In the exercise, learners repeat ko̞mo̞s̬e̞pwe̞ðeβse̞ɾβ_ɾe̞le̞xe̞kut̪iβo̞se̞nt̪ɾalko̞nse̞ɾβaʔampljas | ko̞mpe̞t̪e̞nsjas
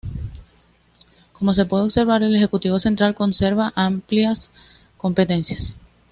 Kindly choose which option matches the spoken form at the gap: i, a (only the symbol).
a